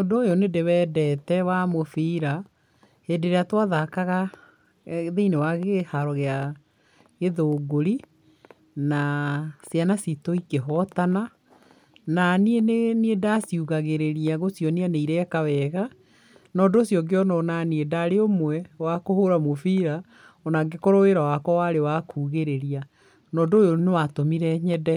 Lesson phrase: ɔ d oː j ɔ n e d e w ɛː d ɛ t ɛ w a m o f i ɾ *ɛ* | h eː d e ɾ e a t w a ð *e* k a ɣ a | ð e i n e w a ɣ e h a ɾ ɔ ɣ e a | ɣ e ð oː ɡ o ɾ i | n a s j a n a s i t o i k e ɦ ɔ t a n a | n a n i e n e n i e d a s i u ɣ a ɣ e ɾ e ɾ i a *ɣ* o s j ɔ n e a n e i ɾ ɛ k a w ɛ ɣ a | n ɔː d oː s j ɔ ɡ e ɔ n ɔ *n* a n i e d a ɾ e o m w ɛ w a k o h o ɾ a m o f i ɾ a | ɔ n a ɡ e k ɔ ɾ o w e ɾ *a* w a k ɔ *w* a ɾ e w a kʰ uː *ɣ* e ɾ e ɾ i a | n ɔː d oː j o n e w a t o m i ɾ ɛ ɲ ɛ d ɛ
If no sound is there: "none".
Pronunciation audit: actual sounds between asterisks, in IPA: a, a, ɣ, n, a, w, ɣ

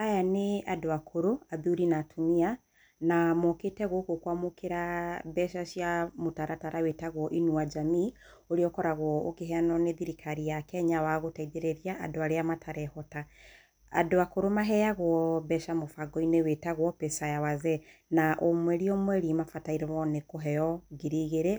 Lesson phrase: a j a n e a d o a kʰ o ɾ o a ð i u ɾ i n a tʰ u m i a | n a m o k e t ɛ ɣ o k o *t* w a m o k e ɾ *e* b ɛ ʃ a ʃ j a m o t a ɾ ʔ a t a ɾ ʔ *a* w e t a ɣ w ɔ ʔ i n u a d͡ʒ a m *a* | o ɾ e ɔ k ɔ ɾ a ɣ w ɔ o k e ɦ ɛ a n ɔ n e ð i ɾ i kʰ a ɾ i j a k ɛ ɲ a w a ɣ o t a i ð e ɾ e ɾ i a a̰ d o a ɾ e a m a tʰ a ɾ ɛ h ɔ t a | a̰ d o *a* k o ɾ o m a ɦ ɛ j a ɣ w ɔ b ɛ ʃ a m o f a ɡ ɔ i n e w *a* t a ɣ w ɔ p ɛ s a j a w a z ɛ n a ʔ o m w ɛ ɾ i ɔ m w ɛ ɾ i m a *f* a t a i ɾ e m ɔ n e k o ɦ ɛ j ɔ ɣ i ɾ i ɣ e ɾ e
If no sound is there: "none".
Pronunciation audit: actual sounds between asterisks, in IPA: k, a, a, i, a, e, f

